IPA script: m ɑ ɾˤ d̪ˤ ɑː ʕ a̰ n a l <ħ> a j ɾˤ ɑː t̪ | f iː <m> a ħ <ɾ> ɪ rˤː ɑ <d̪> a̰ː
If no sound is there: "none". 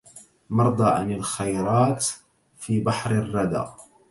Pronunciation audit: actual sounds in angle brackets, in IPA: x, b, ɾ, d̪

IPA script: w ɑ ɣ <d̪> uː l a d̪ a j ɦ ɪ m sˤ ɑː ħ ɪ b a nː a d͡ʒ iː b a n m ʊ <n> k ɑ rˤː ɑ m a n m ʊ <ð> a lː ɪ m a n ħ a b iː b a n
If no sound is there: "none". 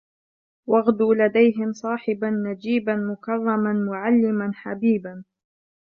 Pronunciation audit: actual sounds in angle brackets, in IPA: d̪, none, ʕ

